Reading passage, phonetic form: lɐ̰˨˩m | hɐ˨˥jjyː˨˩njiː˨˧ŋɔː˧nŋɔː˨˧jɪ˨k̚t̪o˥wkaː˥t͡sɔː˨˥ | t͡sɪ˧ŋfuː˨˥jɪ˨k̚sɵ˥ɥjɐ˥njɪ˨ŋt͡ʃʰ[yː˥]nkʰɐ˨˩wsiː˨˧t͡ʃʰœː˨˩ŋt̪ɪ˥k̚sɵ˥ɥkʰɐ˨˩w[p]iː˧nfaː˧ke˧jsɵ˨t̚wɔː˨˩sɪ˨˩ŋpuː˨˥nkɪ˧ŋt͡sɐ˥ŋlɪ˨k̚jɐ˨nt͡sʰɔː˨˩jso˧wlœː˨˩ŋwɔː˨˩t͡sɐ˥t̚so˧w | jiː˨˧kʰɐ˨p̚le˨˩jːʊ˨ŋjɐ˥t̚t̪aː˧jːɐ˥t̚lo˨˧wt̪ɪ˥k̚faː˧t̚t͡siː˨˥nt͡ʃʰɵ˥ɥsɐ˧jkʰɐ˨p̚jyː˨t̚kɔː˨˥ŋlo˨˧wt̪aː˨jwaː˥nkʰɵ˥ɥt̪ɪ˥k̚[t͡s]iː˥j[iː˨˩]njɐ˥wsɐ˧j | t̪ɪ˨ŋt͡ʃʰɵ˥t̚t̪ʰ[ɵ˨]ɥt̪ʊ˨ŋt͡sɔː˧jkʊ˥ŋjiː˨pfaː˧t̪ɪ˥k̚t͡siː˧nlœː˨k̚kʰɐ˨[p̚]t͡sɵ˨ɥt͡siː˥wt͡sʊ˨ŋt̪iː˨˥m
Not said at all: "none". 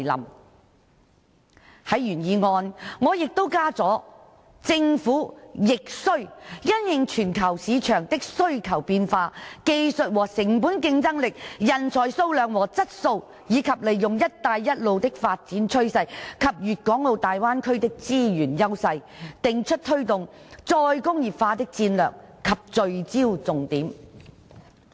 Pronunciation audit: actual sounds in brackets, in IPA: yː˨˩, p, t͡s, yː˨˩, ɵ˥, p̚

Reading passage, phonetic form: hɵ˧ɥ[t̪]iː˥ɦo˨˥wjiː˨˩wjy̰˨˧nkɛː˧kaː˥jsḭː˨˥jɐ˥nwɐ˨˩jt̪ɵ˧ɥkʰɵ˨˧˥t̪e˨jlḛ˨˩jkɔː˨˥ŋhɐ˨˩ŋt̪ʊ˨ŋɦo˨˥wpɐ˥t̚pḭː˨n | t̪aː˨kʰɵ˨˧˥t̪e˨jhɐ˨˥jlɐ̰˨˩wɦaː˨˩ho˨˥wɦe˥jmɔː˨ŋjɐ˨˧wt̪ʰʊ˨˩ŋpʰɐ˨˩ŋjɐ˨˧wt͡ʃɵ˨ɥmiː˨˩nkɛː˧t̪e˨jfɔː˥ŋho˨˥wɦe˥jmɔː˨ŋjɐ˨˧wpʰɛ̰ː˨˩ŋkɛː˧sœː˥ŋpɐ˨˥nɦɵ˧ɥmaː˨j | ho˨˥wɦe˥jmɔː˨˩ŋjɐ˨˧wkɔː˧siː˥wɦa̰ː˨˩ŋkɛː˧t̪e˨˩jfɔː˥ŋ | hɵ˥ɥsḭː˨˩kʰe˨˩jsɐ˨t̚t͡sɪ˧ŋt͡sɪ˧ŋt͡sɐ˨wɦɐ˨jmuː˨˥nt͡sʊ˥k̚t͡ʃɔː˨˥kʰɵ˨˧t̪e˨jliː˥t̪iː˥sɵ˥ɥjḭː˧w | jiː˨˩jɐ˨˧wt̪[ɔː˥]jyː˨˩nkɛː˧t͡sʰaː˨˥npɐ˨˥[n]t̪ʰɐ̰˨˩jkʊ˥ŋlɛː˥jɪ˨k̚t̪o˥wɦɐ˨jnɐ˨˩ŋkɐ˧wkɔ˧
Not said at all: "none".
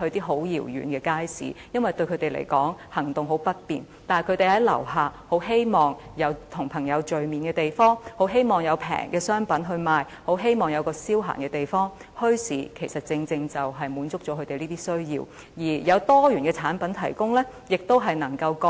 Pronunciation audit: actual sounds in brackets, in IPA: t̪, ɔː˥, n

